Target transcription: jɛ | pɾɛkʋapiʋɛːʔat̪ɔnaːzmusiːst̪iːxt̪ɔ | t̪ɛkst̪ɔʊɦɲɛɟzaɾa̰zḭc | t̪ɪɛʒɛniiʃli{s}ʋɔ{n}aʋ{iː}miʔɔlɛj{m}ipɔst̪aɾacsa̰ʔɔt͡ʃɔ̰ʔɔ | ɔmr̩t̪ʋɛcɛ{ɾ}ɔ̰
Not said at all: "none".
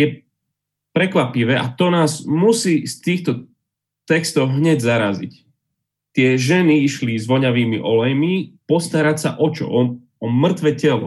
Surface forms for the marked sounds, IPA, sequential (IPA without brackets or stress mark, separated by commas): z, ɲ, iː, m, l